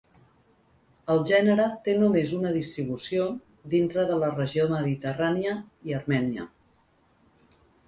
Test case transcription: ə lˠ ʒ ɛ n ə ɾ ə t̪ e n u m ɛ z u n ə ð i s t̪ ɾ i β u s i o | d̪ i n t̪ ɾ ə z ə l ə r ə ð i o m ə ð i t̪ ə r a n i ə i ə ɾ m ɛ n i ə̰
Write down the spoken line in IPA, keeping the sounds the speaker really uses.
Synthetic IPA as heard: ə lˠ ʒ ɛ n ə ɾ ə t̪ e n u m e z u n ə ð i s t̪ ɾ i β u s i o | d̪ i n t̪ ɾ ə ð ə l ə r ə ʒ i o m ə ð i t̪ ə r a n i ə i ə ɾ m ɛ n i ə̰